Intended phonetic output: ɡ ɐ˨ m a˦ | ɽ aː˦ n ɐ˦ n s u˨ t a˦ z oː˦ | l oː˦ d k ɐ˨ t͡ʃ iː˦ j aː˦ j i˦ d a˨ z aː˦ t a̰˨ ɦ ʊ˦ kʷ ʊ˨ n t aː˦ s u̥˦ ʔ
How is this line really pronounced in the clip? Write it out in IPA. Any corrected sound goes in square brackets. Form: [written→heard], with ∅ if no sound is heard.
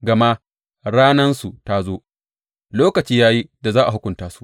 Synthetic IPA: ɡ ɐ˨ m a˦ | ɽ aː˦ n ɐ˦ n s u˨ t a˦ z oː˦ | l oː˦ [d→∅] k ɐ˨ t͡ʃ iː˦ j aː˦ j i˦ d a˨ z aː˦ [t→ʔ] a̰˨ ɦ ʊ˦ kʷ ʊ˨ n t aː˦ s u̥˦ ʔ